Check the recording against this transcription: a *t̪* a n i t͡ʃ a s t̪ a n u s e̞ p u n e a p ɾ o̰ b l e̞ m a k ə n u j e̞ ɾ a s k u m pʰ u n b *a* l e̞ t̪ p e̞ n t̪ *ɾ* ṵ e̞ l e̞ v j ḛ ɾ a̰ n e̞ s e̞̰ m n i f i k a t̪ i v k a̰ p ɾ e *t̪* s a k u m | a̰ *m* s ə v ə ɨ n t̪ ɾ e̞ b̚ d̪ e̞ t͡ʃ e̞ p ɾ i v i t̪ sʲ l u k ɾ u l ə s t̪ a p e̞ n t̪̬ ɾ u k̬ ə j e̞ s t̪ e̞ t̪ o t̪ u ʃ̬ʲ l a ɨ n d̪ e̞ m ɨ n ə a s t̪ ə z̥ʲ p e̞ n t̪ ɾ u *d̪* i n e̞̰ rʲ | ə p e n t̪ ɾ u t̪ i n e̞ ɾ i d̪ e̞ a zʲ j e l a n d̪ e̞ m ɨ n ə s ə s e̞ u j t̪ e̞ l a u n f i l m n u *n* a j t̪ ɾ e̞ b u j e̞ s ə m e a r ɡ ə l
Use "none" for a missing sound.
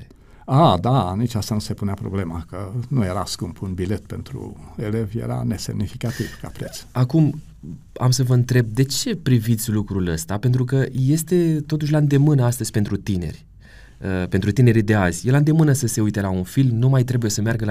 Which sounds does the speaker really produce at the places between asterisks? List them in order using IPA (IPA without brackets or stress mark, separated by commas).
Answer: d̪, i, ɾ, t̪, m, t̪, m